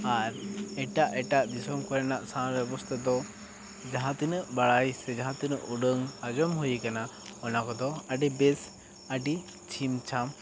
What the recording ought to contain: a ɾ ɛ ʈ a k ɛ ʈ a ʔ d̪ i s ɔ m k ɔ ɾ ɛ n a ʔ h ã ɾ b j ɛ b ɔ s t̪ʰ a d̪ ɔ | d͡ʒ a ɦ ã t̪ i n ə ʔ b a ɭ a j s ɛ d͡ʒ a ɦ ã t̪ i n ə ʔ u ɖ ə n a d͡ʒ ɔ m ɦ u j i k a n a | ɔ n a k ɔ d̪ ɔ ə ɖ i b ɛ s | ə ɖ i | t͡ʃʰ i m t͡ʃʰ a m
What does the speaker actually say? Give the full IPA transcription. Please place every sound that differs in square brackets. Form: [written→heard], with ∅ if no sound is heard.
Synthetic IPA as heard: a ɾ ɛ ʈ a [k→ʔ] ɛ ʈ a ʔ d̪ i s ɔ m k ɔ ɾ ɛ n a ʔ [h→s] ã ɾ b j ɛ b ɔ s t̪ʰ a d̪ ɔ | d͡ʒ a ɦ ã t̪ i n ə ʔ b a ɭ a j s ɛ d͡ʒ a ɦ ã t̪ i n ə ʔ u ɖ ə [n→ŋ] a d͡ʒ ɔ m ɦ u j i k a n a | ɔ n a k ɔ d̪ ɔ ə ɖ i b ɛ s | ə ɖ i | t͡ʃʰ i m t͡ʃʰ a m